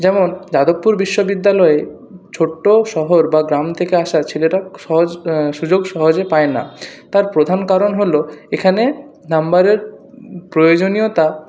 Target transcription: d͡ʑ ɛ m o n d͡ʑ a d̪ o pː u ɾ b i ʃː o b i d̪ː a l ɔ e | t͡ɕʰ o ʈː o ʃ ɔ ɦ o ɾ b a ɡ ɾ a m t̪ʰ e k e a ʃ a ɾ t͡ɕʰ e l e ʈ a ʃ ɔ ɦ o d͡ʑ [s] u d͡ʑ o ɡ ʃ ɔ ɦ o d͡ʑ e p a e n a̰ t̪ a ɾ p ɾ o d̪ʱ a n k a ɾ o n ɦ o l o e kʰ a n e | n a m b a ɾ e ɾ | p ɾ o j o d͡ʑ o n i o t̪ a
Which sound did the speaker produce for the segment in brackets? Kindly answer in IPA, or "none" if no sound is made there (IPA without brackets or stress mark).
ʃ